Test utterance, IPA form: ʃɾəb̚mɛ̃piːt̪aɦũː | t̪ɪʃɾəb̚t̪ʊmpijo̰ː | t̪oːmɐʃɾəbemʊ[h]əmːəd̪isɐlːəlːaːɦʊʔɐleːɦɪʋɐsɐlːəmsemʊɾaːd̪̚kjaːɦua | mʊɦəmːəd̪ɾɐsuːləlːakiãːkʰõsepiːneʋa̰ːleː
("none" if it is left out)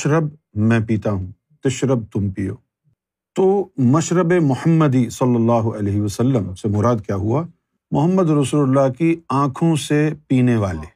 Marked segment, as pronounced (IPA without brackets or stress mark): h